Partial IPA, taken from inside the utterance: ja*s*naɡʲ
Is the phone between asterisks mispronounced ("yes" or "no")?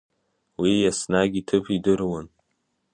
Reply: no